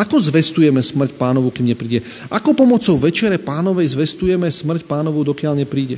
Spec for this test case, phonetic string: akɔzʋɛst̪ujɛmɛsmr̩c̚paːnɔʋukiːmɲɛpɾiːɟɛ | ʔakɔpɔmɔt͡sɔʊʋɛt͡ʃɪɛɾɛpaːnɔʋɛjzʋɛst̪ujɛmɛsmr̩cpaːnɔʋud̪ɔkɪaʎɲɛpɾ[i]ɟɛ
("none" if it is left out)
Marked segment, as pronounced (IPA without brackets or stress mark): iː